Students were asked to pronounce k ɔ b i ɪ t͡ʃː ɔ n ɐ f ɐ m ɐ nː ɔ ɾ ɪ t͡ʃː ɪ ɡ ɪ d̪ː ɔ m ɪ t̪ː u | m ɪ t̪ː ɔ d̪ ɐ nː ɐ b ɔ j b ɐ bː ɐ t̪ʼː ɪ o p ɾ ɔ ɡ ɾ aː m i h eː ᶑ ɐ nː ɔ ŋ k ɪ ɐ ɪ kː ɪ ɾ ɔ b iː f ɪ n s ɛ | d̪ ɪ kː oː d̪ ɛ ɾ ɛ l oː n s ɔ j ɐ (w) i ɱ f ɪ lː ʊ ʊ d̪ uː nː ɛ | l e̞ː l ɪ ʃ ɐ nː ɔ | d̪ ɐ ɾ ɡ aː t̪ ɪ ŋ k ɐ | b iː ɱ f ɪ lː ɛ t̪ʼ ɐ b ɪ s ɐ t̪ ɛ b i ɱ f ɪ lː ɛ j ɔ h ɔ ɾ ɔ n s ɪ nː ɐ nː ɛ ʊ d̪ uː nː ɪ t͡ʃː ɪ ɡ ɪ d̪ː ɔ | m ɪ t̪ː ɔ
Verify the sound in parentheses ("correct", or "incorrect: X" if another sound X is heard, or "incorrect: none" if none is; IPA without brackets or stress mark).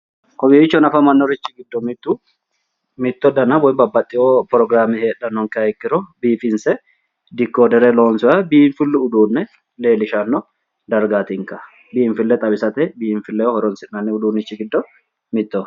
incorrect: b